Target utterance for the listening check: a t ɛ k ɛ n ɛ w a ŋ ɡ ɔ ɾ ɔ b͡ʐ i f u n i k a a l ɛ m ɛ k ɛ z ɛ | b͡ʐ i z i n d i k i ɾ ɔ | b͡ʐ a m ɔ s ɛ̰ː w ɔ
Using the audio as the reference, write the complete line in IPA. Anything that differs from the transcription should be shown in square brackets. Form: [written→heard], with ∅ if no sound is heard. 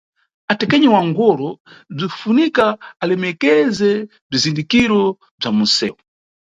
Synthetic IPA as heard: a t ɛ k ɛ [n→ɲ] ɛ w a ŋ ɡ ɔ ɾ ɔ b͡ʐ i f u n i k a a l ɛ m ɛ k ɛ z ɛ | b͡ʐ i z i n d i k i ɾ ɔ | b͡ʐ a m [ɔ→u] s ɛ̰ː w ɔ